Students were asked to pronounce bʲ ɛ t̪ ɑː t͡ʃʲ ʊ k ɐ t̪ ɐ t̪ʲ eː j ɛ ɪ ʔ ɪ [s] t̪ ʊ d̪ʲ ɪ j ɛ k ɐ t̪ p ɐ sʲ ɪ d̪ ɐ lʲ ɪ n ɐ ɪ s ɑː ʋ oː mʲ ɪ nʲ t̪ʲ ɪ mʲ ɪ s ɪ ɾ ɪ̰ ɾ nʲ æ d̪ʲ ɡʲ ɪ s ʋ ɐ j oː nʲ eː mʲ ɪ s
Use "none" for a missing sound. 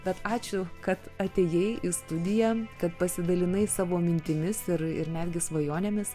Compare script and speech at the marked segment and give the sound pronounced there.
s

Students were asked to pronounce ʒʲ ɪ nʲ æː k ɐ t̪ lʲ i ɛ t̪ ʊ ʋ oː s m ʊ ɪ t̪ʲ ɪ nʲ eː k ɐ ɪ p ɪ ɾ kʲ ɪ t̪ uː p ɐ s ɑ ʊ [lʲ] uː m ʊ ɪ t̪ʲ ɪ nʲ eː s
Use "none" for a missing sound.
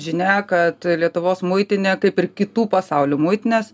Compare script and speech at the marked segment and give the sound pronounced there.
lʲ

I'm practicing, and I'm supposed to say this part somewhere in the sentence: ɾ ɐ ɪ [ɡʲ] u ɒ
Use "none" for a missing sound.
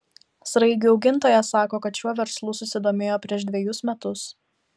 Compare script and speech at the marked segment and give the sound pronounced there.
ɡʲ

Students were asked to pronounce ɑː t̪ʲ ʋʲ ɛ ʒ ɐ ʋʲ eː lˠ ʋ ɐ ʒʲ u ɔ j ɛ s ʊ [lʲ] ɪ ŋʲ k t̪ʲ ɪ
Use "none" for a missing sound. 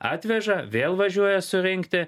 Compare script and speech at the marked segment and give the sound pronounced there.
ɾʲ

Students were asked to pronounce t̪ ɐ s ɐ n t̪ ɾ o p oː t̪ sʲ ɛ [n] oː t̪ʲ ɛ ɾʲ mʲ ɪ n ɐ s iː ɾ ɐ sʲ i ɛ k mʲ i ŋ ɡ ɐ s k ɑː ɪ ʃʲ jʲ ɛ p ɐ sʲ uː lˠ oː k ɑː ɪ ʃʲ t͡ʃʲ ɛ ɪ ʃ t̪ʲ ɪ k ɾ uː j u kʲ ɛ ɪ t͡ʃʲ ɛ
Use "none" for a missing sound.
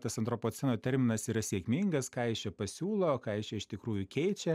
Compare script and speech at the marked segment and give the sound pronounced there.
n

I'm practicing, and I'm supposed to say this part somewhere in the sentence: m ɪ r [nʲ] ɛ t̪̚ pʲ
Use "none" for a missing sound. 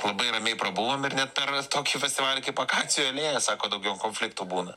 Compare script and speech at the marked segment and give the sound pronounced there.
nʲ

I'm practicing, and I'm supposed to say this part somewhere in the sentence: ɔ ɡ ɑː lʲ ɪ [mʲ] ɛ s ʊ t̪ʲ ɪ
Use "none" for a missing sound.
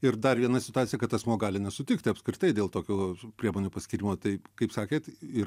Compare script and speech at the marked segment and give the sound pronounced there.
nʲ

